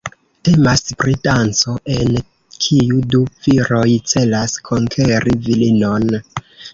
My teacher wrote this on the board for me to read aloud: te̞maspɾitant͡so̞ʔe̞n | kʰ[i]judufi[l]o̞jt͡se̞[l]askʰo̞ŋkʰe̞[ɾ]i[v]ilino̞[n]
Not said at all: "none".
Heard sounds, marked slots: i, ɾ, l, ɾ, v, n

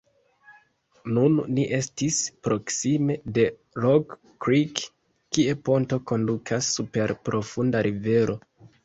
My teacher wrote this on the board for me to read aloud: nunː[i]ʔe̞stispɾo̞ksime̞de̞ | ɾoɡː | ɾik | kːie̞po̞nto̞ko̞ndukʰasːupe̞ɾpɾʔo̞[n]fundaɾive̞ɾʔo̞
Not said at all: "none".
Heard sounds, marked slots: i, none

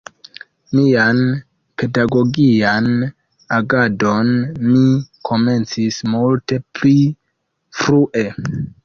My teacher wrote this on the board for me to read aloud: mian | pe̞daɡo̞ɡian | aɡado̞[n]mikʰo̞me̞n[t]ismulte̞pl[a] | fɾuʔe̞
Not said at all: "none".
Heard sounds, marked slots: n, t͡s, i

